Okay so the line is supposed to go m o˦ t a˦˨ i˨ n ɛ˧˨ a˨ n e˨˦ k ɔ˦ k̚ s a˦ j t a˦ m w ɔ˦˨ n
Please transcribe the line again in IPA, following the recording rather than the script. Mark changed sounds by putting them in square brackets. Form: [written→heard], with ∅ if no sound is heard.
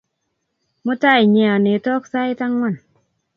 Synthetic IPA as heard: m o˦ t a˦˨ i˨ [n→ɲ] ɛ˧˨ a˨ n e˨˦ [k→t] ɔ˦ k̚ s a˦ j t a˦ [m→ŋ] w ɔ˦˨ n